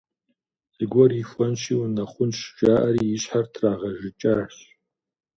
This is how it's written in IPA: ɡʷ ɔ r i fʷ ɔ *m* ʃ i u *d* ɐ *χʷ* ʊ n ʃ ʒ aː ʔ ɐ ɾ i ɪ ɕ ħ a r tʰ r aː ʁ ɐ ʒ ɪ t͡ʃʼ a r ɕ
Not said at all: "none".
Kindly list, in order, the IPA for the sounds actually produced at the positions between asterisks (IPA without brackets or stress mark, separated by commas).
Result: n, n, χʷ